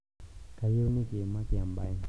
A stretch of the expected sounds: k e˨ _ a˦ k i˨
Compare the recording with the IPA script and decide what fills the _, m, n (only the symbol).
m